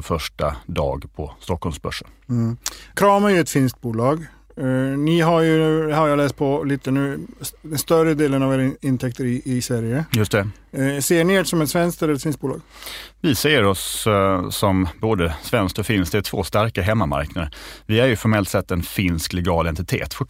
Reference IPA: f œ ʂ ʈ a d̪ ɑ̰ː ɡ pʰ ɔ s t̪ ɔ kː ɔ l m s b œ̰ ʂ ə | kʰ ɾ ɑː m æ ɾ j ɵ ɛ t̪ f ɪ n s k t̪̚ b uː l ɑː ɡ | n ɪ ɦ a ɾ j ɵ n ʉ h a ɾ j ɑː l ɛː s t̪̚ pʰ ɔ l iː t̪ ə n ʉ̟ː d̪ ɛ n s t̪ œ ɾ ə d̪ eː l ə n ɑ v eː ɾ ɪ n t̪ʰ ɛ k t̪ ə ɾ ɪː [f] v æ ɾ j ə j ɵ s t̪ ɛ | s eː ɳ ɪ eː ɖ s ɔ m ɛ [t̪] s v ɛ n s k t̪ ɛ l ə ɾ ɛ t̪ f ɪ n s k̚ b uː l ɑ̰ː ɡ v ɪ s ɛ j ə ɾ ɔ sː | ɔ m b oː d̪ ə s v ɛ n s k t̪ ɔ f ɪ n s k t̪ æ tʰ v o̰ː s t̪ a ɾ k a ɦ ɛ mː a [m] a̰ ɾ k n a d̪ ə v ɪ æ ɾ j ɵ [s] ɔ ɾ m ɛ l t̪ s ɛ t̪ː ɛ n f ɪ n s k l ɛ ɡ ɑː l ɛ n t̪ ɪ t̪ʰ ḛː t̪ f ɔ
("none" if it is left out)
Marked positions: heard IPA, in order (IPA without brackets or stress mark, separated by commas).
s, t̪, m, f